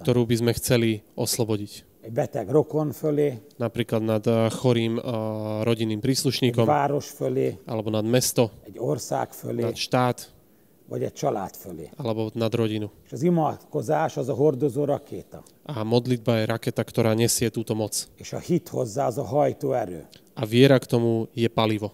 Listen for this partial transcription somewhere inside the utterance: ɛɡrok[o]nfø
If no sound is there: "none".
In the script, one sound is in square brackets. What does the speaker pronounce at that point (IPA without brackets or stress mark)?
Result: o